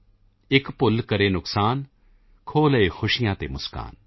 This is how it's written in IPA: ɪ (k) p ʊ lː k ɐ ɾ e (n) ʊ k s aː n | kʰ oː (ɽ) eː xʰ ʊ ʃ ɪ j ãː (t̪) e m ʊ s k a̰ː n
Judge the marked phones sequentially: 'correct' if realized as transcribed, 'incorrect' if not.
correct, correct, incorrect: l, correct

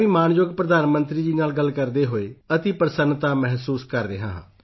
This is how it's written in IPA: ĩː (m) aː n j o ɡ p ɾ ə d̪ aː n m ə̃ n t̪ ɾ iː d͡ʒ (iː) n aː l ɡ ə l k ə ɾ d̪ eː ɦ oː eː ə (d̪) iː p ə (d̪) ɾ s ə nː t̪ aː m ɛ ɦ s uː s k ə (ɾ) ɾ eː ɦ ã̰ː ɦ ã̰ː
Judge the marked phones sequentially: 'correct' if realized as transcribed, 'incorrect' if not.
correct, correct, incorrect: t̪, incorrect: none, correct

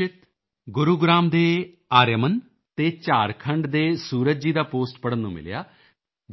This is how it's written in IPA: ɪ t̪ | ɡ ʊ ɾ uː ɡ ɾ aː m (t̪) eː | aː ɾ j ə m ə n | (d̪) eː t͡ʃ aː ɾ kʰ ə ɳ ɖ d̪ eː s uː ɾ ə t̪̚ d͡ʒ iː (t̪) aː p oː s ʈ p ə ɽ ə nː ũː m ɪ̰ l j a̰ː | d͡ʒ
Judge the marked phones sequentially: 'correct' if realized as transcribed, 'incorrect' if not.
incorrect: d̪, incorrect: t̪, incorrect: d̪

